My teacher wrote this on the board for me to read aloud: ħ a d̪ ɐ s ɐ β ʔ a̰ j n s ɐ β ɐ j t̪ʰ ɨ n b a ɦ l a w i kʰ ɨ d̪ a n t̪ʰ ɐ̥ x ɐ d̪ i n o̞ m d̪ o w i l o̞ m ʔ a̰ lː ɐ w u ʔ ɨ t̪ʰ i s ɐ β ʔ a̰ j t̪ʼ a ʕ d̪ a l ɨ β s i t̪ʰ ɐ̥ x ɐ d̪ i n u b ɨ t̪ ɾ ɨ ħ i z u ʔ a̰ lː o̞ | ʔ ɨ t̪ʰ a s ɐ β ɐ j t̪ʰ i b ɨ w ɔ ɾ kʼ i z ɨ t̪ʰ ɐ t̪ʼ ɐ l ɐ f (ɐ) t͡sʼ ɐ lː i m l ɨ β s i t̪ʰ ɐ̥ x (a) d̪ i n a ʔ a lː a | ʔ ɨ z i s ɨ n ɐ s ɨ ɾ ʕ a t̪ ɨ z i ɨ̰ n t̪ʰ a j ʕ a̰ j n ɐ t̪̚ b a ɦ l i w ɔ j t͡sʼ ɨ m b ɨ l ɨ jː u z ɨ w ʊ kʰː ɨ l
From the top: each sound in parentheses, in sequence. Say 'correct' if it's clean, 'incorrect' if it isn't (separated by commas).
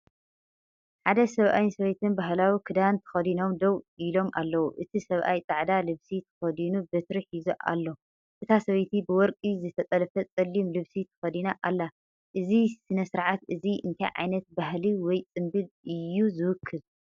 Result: correct, incorrect